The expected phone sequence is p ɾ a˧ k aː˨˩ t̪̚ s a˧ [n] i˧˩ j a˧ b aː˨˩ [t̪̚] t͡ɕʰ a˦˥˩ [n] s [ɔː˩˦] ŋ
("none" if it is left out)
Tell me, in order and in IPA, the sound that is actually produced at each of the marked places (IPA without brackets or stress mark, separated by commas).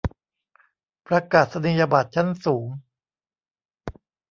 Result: n, t̪̚, n, uː˩˦